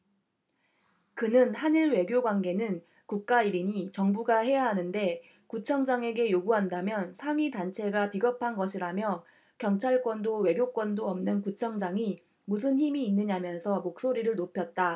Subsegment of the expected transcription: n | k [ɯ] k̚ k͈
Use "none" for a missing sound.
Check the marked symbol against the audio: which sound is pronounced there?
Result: u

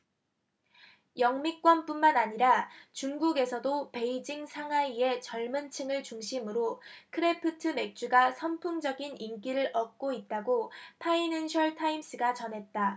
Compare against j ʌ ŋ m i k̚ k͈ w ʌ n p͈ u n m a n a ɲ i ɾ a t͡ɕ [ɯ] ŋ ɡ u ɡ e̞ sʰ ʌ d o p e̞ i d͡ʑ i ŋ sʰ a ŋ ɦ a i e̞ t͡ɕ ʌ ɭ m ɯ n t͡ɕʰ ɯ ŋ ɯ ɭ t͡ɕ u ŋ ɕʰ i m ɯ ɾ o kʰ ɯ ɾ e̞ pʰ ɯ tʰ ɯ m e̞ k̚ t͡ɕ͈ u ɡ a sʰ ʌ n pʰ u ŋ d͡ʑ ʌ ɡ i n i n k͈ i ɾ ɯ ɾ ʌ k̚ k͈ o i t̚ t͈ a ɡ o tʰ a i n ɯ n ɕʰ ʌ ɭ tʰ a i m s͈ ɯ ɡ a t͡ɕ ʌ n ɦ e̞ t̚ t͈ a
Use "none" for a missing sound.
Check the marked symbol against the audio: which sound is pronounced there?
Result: u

